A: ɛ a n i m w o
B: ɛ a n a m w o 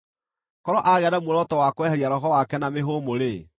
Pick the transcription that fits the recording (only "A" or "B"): B